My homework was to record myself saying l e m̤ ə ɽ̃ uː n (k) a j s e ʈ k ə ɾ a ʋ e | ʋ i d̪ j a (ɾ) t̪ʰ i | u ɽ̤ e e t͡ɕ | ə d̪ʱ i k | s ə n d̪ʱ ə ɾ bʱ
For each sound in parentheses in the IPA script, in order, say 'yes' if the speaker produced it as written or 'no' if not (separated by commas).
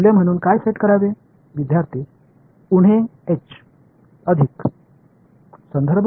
yes, yes